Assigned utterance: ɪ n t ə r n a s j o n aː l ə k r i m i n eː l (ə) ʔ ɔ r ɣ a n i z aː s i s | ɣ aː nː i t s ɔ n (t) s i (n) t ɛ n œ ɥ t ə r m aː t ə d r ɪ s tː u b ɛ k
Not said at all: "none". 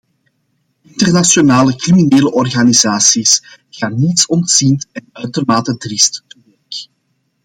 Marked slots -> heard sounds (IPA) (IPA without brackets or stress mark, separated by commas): ə, t, n